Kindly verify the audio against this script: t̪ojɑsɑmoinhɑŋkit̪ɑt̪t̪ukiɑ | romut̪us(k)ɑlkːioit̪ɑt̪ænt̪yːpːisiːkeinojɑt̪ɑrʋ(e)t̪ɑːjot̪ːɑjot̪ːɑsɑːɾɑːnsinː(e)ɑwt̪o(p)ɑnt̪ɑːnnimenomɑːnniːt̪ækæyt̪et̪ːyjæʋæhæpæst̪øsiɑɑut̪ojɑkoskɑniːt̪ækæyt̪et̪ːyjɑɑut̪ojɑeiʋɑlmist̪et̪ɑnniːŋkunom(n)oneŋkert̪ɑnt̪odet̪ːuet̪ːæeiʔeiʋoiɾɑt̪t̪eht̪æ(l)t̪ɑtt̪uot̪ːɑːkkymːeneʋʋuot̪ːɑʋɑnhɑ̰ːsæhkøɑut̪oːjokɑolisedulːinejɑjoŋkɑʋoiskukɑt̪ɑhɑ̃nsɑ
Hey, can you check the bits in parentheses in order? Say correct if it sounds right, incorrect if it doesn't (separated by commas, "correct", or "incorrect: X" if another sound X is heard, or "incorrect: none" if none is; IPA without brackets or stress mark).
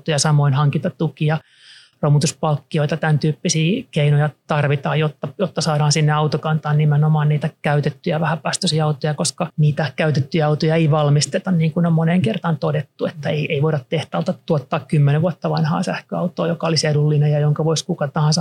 incorrect: p, incorrect: i, correct, incorrect: k, incorrect: m, correct